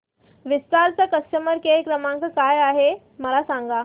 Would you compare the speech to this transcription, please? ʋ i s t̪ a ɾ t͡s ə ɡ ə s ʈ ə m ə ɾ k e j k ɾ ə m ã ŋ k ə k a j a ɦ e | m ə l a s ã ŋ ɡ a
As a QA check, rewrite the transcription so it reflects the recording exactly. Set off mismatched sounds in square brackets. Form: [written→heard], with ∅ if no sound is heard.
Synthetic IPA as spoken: ʋ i s t̪ a ɾ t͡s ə [ɡ→k] ə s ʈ ə m ə ɾ k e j k ɾ ə m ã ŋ k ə k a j a ɦ e | m ə l a s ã ŋ ɡ a